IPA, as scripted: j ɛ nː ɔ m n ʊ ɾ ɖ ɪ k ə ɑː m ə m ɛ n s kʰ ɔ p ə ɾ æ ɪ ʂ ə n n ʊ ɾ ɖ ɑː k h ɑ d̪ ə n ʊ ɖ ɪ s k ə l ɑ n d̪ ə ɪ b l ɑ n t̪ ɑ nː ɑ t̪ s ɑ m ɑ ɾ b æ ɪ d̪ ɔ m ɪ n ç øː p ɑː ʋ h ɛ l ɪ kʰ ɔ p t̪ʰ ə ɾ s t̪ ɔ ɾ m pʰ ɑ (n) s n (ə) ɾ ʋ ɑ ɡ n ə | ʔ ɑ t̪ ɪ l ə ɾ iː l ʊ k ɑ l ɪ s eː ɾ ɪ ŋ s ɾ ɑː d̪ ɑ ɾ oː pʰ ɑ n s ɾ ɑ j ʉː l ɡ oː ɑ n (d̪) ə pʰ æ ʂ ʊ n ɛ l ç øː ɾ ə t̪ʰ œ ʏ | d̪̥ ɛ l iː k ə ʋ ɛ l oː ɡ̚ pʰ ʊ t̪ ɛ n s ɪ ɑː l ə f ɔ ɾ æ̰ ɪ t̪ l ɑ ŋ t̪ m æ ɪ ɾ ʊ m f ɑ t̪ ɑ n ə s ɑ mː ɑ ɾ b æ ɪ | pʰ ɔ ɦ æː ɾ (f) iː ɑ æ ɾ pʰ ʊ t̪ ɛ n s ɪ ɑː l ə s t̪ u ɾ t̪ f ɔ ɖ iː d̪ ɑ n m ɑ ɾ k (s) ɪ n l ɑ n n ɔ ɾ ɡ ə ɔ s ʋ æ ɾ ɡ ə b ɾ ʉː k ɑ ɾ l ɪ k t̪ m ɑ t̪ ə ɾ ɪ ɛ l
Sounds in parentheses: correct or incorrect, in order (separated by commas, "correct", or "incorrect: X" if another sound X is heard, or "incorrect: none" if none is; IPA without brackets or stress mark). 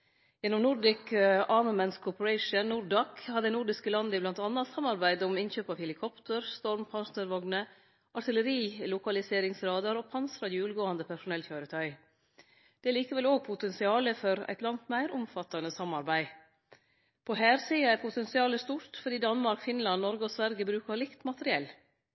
correct, correct, correct, incorrect: s, incorrect: f